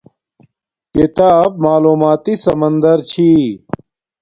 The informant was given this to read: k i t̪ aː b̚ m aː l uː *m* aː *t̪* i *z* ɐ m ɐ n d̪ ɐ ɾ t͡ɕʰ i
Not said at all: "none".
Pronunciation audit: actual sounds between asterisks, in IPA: m, t̪, s

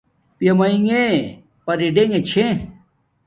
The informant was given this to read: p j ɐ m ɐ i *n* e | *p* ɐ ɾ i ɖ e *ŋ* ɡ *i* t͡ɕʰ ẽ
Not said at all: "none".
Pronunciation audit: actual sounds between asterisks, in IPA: ŋ, p, ŋ, e

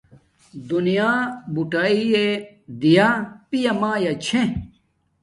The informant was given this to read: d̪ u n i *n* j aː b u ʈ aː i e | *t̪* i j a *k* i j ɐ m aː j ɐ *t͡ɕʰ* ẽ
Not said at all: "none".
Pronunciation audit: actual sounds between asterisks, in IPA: none, d̪, p, t͡ɕʰ

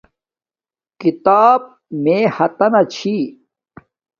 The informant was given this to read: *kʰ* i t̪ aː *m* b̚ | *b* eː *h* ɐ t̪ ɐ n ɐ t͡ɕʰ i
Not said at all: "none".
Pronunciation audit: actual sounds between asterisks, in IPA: k, none, m, h

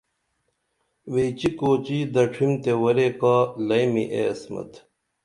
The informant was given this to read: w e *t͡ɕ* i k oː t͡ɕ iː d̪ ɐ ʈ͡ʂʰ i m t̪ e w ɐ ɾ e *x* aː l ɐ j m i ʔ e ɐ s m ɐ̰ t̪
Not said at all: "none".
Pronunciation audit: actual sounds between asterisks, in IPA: t͡ɕ, k

